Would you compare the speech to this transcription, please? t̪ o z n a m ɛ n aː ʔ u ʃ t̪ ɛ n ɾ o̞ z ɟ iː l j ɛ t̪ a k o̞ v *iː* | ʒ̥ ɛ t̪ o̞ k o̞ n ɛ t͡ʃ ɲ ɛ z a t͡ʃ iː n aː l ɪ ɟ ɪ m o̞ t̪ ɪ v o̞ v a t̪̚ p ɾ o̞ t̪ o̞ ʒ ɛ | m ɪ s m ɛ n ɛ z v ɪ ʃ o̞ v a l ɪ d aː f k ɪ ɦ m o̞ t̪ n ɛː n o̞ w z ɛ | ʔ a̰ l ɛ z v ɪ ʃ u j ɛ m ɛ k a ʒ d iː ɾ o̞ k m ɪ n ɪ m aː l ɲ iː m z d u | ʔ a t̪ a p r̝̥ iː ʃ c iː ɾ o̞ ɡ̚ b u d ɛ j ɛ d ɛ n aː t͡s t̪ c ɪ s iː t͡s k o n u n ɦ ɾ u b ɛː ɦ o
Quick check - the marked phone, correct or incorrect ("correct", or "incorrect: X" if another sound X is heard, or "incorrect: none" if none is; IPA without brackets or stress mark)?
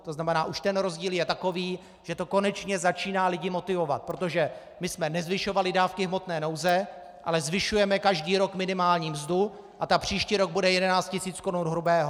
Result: correct